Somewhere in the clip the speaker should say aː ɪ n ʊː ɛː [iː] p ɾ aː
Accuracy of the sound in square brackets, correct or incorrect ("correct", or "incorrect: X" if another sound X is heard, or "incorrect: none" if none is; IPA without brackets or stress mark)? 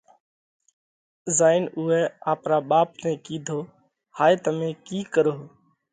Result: incorrect: aː